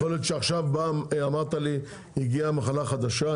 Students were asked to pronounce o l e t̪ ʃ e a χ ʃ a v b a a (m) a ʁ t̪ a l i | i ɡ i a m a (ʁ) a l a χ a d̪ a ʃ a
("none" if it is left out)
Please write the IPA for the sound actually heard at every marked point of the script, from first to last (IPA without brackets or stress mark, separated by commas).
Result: m, χ